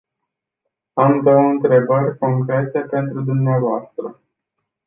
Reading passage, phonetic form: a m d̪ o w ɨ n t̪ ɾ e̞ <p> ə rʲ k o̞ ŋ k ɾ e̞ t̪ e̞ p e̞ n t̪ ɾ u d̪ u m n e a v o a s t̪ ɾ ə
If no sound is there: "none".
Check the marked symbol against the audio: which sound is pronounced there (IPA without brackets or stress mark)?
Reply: b